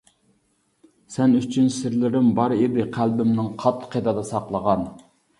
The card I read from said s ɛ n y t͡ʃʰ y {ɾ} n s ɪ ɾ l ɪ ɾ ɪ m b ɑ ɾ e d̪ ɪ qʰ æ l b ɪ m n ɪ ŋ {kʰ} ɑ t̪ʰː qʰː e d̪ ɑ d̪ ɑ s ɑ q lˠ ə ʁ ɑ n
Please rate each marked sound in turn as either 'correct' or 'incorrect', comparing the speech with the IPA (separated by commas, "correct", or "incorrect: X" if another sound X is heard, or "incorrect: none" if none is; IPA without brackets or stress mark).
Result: incorrect: none, incorrect: qʰ